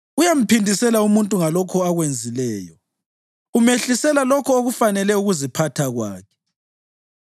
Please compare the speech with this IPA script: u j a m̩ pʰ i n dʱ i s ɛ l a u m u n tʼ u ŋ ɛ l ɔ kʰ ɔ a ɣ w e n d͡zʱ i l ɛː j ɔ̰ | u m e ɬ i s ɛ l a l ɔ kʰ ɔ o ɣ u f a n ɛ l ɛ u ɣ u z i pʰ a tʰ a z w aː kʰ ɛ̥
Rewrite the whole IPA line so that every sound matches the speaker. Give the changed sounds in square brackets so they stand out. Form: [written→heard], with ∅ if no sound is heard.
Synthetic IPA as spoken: u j a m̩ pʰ i n dʱ i s ɛ l a u m u n tʼ u ŋ [ɛ→a] l ɔ kʰ ɔ a ɣ w e n d͡zʱ i l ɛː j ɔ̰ | u m e ɬ i s ɛ l a l ɔ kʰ ɔ o ɣ u f a n ɛ l ɛ u ɣ u z i pʰ a tʰ a [z→ɣ] w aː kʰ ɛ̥